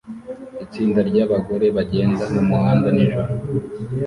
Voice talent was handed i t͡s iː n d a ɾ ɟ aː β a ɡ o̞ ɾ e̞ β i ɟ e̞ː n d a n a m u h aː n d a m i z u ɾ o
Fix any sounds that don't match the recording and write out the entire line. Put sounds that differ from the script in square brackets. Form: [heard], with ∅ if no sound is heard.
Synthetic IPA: i t͡s iː n d a ɾ ɟ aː β a ɡ o̞ ɾ e̞ β [a] ɟ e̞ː n d a n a m u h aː n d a [n] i [ʒ] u ɾ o